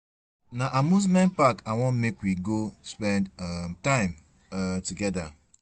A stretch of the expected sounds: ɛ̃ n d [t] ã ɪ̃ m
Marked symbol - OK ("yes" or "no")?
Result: yes